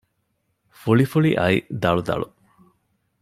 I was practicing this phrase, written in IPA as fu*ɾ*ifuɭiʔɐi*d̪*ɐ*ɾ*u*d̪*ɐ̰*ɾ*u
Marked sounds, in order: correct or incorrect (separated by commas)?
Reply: incorrect, correct, incorrect, correct, incorrect